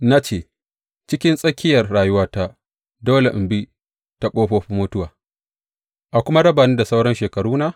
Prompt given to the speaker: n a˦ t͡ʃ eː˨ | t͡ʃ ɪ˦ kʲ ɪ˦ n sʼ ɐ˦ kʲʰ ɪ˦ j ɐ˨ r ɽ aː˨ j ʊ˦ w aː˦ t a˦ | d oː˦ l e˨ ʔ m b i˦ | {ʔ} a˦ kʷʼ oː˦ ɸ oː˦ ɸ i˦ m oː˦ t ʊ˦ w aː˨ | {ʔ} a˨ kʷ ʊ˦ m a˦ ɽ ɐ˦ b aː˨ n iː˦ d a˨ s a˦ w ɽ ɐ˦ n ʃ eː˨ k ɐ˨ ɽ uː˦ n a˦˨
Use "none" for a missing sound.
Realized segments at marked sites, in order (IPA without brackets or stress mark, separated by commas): t, ʔ